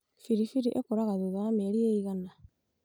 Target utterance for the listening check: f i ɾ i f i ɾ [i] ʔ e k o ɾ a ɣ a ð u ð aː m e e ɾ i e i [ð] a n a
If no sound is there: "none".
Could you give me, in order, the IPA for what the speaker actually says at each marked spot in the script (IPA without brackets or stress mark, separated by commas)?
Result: i, ɣ